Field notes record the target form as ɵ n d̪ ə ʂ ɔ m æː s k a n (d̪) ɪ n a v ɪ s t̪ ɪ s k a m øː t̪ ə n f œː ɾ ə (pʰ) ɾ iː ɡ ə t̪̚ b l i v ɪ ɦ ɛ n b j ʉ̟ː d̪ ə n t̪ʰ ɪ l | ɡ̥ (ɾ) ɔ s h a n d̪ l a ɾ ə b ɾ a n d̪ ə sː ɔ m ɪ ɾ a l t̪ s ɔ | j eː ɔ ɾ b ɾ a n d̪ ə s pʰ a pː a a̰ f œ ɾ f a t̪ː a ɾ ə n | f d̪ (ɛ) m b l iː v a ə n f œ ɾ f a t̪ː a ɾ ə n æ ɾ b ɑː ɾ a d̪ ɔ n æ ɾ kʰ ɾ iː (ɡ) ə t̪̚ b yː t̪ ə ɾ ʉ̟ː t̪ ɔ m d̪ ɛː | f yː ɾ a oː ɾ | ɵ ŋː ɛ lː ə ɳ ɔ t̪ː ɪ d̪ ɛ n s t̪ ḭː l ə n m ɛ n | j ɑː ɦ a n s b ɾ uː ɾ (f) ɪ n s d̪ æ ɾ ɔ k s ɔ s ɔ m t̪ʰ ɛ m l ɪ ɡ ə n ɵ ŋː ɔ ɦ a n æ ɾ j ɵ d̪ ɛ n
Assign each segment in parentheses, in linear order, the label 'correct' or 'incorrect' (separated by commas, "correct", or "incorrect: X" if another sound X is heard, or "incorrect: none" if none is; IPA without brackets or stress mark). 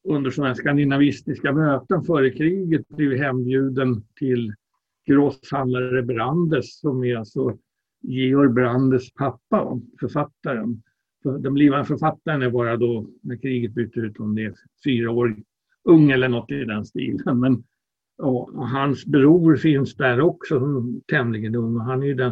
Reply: correct, incorrect: kʰ, correct, correct, correct, correct